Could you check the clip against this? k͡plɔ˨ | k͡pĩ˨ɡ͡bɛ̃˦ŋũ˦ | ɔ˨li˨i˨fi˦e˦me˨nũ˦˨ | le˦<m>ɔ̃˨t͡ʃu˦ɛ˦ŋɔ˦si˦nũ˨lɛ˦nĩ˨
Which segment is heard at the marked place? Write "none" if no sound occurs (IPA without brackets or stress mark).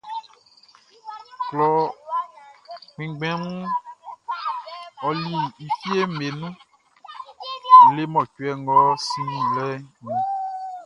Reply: m